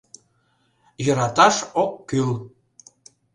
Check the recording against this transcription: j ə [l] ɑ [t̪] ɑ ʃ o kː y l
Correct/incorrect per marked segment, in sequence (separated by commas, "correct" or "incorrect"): incorrect, correct